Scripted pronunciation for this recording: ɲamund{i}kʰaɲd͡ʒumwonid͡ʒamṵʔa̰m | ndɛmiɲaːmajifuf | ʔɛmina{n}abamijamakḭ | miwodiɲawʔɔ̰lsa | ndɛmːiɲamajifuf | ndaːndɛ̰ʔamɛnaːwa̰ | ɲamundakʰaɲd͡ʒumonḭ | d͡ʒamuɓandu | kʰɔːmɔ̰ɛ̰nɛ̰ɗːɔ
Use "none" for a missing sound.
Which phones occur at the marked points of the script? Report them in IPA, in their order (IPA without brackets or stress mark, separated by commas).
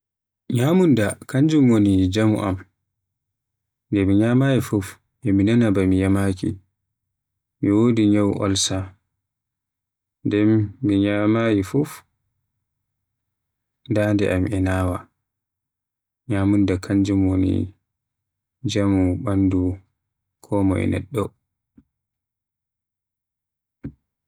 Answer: a, n